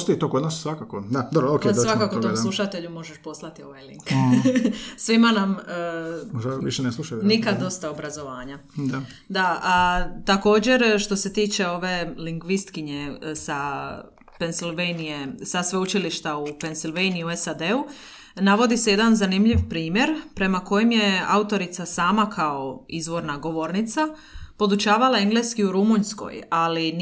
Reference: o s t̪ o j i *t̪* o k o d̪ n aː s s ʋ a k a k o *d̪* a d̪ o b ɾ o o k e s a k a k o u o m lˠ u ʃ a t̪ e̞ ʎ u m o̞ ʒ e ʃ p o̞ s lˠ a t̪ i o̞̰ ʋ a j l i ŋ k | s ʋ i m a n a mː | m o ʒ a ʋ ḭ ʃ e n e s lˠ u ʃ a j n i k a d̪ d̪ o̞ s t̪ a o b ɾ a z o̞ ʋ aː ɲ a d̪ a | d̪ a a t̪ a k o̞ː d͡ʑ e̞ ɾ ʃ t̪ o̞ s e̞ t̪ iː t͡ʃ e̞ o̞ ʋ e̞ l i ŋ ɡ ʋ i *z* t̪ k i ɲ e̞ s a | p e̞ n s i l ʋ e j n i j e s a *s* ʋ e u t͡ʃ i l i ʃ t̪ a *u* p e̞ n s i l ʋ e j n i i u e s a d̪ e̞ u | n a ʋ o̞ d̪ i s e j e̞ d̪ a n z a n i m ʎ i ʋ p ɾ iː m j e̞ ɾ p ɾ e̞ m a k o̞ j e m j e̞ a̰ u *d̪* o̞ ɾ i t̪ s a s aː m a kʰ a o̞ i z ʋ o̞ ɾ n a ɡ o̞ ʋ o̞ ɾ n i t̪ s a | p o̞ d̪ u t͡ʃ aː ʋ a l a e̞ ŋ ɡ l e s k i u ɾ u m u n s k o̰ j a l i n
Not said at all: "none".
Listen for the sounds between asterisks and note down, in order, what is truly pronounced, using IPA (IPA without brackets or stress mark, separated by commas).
t̪, d̪, s, s, u, t̪